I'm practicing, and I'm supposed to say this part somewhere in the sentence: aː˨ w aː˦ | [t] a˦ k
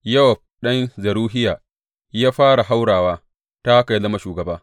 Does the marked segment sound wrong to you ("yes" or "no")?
no